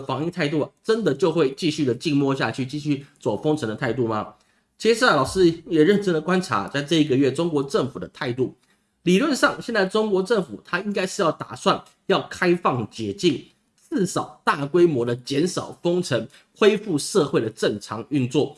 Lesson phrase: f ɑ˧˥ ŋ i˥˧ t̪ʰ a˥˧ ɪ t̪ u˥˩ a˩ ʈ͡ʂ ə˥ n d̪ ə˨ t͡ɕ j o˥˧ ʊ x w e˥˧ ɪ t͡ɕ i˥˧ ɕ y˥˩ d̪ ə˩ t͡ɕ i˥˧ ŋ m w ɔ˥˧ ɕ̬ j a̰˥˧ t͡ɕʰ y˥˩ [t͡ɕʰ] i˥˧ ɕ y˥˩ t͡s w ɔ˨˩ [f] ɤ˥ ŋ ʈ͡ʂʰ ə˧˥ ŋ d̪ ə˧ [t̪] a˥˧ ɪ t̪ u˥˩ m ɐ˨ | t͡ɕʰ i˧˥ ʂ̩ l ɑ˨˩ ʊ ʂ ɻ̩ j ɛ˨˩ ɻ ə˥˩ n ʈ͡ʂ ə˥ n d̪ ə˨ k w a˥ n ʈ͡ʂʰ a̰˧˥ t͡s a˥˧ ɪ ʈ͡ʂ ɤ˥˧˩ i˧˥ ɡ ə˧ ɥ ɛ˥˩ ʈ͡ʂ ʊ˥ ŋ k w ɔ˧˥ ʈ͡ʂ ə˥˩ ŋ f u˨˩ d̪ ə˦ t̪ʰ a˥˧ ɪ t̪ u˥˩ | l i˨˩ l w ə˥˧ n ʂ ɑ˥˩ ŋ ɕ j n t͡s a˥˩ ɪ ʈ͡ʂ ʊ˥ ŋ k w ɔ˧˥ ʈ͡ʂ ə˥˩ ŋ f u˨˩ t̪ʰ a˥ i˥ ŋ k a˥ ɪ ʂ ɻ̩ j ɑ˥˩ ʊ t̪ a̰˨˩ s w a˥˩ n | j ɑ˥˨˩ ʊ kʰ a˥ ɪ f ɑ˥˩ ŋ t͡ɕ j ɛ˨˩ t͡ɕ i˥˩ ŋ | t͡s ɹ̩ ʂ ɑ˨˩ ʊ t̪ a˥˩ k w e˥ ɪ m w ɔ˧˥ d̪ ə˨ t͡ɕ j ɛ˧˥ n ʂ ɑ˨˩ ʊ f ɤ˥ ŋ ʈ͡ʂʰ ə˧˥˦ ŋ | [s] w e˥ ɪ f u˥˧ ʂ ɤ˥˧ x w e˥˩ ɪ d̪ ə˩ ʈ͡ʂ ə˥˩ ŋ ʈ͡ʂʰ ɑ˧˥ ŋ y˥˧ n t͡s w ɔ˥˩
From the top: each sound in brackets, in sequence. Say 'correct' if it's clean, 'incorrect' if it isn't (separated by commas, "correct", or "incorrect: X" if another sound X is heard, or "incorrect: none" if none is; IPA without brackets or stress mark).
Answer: incorrect: t͡ɕ, correct, incorrect: t̪ʰ, incorrect: x